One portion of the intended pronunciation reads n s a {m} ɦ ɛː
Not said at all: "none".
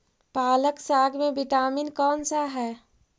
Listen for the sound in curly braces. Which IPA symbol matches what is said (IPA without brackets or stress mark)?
none